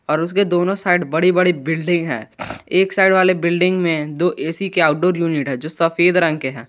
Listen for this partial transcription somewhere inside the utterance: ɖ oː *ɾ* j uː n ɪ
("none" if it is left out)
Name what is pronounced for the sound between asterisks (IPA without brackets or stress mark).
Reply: ɾ